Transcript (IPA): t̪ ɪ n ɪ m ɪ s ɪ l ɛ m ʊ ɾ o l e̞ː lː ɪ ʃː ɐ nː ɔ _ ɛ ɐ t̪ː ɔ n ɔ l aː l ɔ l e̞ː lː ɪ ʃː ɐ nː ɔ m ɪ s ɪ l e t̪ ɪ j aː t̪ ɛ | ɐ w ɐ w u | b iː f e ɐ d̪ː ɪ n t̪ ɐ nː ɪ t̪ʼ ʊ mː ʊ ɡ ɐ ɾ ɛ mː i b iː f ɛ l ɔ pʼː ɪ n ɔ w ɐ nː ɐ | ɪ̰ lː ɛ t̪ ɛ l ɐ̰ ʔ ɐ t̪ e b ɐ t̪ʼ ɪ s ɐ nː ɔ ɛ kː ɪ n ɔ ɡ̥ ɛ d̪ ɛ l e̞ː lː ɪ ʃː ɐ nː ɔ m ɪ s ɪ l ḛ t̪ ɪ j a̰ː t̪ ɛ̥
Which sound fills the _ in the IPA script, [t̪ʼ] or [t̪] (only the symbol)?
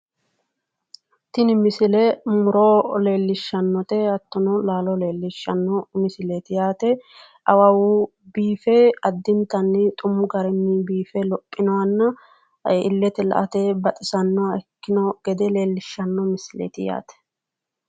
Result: t̪